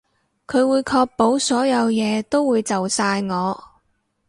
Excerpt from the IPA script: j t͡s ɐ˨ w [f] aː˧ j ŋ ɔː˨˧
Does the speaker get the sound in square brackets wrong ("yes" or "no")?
yes